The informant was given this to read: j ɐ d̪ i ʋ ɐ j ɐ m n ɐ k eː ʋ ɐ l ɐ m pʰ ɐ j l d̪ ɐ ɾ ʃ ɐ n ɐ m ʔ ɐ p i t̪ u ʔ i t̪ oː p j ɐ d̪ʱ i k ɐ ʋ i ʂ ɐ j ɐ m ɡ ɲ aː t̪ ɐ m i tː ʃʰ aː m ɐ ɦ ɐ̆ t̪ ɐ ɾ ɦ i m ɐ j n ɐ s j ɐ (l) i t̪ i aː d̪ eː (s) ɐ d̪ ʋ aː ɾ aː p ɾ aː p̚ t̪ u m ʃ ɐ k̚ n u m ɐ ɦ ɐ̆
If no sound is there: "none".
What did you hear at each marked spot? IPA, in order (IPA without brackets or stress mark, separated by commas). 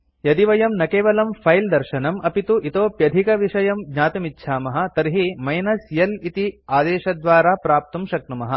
l, ʃ